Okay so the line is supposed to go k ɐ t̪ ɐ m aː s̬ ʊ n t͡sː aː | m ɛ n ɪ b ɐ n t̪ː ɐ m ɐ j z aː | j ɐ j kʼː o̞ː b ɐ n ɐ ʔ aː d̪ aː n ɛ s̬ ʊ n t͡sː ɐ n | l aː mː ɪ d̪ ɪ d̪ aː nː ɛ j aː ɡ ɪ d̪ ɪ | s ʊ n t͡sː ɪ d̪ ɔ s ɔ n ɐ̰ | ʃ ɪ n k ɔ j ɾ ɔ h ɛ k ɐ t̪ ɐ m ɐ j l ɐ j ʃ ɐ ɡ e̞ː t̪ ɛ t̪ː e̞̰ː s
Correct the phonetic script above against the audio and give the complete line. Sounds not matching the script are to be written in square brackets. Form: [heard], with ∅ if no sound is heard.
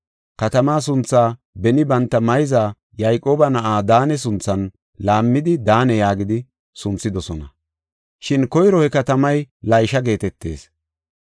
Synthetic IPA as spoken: k ɐ t̪ ɐ m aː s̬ ʊ n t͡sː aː | [b] ɛ n ɪ b ɐ n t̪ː ɐ m ɐ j z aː | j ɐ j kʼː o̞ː b ɐ n ɐ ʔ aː d̪ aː n ɛ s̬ ʊ n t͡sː ɐ n | l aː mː ɪ d̪ ɪ d̪ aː [n] ɛ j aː ɡ ɪ d̪ ɪ | s ʊ n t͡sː ɪ d̪ ɔ s ɔ n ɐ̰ | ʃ ɪ n k ɔ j ɾ ɔ h ɛ k ɐ t̪ ɐ m ɐ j l ɐ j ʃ ɐ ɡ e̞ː t̪ ɛ t̪ː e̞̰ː s